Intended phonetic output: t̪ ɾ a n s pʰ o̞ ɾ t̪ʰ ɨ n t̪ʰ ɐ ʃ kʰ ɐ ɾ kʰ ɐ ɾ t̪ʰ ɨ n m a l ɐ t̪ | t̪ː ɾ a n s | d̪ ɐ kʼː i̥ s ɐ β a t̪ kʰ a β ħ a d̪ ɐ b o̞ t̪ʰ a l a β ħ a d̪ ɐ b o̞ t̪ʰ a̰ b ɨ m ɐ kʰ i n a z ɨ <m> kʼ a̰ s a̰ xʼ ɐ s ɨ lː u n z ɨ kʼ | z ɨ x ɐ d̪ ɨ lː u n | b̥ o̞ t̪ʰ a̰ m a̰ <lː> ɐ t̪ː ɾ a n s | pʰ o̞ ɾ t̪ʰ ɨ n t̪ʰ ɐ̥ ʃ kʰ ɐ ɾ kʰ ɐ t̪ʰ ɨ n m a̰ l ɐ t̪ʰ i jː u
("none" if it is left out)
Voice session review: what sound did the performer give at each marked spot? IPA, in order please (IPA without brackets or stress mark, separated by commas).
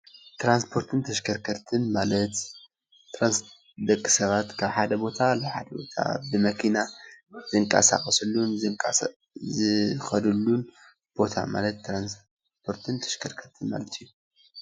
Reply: ŋ, l